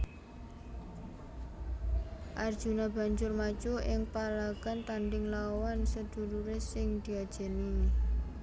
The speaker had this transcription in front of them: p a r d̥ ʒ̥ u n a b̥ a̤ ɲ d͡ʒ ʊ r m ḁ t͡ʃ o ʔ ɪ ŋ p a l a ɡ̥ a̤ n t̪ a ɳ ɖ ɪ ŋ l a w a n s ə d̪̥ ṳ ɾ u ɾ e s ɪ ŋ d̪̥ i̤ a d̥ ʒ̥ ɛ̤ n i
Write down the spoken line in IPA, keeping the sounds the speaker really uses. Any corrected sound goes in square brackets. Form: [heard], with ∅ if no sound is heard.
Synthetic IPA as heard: [ʔ] a r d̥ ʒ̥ u n a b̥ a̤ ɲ d͡ʒ ʊ r m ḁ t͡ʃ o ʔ ɪ ŋ p a l a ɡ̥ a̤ n t̪ a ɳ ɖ ɪ ŋ l a w a n s ə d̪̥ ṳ ɾ u ɾ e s ɪ ŋ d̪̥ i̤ a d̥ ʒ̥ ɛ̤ n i